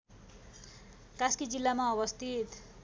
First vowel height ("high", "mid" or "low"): low